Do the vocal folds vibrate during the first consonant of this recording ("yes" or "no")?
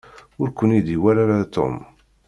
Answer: yes